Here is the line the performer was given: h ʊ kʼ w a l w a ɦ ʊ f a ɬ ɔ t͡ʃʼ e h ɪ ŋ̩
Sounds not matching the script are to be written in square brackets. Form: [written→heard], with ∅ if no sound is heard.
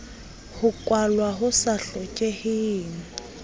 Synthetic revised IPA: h ʊ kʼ w a l w a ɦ ʊ [f→s] a ɬ ɔ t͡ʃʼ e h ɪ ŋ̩